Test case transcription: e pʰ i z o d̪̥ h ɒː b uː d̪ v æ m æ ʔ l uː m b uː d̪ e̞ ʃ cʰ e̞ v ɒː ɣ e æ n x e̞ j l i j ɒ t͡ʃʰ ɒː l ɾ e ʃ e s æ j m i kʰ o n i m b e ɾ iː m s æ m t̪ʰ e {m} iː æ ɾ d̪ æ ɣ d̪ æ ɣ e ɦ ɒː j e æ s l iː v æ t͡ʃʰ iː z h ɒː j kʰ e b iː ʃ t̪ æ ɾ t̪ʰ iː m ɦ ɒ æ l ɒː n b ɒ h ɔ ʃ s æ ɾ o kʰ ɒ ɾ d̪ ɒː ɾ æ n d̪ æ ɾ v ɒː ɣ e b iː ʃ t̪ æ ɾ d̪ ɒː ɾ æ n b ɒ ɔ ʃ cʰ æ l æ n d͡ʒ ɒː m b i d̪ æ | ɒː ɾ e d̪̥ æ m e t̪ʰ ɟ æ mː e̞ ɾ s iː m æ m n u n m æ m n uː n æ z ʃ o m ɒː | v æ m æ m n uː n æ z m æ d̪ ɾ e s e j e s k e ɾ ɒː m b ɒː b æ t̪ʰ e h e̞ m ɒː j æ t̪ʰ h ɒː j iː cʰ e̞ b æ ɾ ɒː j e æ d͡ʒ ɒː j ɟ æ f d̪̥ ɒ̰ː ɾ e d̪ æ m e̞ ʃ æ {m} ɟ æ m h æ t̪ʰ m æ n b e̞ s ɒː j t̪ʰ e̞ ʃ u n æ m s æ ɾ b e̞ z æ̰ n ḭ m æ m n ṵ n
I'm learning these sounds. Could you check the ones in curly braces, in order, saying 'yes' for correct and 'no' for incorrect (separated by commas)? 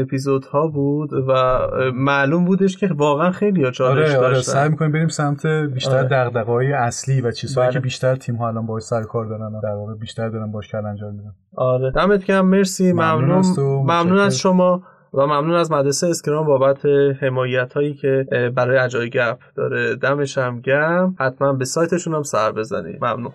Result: no, yes